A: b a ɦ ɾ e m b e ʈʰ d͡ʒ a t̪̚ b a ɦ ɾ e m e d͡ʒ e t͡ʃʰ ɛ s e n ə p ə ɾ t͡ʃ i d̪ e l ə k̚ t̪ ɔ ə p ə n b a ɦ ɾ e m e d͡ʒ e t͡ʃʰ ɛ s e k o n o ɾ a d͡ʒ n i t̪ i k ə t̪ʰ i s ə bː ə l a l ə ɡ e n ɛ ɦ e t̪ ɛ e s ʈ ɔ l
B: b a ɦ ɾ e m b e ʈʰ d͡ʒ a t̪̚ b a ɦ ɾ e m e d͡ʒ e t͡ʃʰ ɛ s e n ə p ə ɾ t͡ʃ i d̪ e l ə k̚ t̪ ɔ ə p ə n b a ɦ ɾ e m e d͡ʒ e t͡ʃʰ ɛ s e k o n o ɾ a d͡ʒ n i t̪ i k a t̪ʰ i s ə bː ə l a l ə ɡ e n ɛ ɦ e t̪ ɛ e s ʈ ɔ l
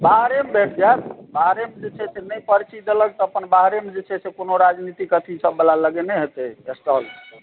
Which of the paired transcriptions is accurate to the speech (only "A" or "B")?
A